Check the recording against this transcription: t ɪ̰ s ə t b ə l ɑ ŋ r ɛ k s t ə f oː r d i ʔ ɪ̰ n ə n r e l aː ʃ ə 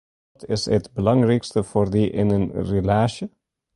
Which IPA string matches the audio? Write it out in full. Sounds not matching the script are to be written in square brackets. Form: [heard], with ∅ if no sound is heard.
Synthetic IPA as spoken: t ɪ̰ s ə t b ə l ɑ ŋ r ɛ k s t ə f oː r d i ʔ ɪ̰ n ə n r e l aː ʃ ə